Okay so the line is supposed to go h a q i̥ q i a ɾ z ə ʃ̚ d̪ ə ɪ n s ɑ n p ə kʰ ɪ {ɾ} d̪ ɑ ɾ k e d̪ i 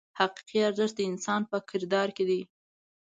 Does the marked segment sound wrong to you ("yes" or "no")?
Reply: no